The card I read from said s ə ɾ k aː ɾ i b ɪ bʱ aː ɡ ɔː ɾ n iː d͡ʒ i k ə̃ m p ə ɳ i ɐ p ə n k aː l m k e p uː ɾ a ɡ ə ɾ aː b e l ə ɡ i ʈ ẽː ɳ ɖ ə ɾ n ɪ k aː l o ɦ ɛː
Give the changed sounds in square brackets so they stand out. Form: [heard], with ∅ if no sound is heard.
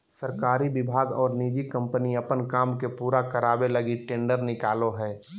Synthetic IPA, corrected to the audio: s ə ɾ k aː ɾ i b ɪ bʱ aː ɡ ɔː ɾ n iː d͡ʒ i k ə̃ m p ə [n] i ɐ p ə n k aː [∅] m k e p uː ɾ a [k] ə ɾ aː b e l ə ɡ i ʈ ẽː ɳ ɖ ə ɾ n ɪ k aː l o ɦ ɛː

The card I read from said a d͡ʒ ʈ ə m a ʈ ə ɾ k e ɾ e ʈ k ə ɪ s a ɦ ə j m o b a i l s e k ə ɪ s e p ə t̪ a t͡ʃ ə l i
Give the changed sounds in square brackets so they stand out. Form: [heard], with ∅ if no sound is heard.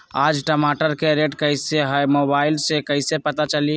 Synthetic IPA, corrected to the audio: a d͡ʒ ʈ ə m a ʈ ə ɾ k e ɾ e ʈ k ə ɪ s [e] ɦ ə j m o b a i l s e k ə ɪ s e p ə t̪ a t͡ʃ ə l i

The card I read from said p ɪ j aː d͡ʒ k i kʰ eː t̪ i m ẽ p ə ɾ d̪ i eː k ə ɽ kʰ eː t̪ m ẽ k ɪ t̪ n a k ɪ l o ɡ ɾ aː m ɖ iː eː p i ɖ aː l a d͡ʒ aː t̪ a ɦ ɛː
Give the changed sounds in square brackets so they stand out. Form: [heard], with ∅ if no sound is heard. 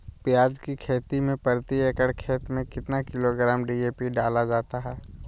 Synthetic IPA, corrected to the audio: p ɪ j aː d͡ʒ k i kʰ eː t̪ i m ẽ p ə ɾ [t̪] i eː k ə ɽ kʰ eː t̪ m ẽ k ɪ t̪ n a k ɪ l o ɡ ɾ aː m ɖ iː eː p i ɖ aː l a d͡ʒ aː t̪ a ɦ ɛː

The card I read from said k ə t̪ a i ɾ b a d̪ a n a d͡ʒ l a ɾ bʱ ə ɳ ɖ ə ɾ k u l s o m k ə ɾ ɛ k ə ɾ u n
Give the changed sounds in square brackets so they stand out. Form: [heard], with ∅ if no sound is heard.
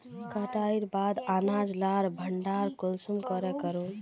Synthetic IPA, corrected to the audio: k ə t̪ a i ɾ b a d̪ a n a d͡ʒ l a ɾ bʱ ə ɳ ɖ [a] ɾ k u l s [u] m k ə ɾ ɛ k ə ɾ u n

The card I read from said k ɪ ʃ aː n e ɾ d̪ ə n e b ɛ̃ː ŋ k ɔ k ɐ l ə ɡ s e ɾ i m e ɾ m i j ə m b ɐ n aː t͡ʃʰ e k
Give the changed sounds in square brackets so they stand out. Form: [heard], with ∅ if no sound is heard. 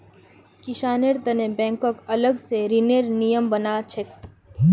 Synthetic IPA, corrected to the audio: k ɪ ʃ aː n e ɾ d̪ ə n e b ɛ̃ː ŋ k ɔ k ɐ l ə ɡ s e ɾ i [n] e ɾ [n] i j ə m b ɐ n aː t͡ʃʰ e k

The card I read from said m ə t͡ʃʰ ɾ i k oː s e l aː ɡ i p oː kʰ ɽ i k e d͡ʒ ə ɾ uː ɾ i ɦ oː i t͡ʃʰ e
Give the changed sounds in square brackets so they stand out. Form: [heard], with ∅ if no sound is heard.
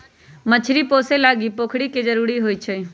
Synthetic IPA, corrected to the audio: m ə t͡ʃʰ ɾ i [p] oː s e l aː ɡ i p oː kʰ ɽ i k e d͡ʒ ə ɾ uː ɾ i ɦ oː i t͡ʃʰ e

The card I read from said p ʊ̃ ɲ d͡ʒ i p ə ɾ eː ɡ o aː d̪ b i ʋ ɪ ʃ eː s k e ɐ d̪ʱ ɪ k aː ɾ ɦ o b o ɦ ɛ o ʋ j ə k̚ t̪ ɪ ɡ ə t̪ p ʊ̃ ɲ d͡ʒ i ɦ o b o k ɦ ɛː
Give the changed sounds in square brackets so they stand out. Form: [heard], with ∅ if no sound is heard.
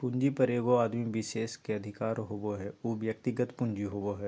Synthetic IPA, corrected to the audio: p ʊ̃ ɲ d͡ʒ i p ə ɾ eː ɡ o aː d̪ [m] i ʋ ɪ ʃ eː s k e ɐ d̪ʱ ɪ k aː ɾ ɦ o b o ɦ ɛ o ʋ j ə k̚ t̪ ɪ ɡ ə t̪ p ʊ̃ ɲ d͡ʒ i ɦ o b o [∅] ɦ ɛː

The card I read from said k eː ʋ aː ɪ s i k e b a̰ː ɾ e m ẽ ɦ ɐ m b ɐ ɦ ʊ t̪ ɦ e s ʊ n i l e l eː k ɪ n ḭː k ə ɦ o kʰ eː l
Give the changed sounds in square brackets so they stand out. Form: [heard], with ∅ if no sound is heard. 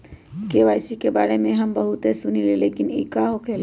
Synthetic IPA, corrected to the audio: k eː ʋ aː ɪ s i k e b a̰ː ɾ e m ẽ ɦ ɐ m b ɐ ɦ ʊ t̪ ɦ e s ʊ n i l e l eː k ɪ n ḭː k [a] ɦ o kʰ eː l

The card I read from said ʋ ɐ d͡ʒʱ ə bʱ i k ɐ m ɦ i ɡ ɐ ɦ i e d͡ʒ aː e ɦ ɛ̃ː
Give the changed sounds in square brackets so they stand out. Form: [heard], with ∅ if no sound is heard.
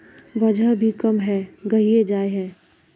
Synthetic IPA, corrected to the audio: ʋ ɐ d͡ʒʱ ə bʱ i k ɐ m ɦ [ɛ] ɡ ɐ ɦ i e d͡ʒ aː e ɦ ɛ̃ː

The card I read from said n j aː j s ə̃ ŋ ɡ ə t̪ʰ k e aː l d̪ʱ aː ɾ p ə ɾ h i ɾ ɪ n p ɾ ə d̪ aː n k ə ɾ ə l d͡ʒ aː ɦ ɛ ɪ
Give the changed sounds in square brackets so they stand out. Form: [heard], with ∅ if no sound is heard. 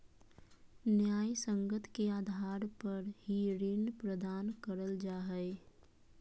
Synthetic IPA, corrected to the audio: n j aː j s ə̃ ŋ ɡ ə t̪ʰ k e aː [∅] d̪ʱ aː ɾ p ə ɾ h i ɾ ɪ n p ɾ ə d̪ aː n k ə ɾ ə l d͡ʒ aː ɦ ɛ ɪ

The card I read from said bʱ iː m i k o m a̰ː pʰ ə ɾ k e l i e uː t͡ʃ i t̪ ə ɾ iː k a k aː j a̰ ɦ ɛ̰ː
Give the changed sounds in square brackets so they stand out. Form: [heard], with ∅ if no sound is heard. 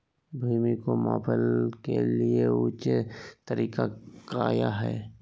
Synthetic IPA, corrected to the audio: bʱ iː m i k o m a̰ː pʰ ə [l] k e l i e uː t͡ʃ [e] t̪ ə ɾ iː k a k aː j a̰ ɦ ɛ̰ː

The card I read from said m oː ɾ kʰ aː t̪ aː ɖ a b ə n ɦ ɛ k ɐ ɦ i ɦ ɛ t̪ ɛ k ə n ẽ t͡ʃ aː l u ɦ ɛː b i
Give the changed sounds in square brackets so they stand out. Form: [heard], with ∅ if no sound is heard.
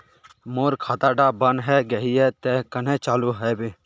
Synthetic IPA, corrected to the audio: m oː ɾ kʰ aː t̪ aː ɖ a b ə n ɦ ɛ [ɡ] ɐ ɦ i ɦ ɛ t̪ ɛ k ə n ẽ t͡ʃ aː l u ɦ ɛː b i

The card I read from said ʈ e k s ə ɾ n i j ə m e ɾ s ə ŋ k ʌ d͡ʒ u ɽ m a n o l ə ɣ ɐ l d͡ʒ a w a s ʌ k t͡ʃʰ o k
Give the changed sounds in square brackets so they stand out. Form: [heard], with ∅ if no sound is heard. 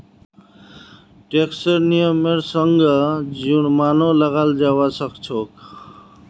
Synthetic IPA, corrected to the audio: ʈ e k s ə ɾ n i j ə m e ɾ s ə ŋ [ɡ] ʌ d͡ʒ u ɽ m a n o l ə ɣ [a] l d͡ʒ a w a s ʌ k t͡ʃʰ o k

